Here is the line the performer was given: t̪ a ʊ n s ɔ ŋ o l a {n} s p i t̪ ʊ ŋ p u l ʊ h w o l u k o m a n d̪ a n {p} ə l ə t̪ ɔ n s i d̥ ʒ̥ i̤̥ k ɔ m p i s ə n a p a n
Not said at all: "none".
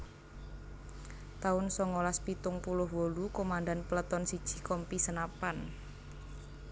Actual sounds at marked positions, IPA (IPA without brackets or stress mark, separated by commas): none, p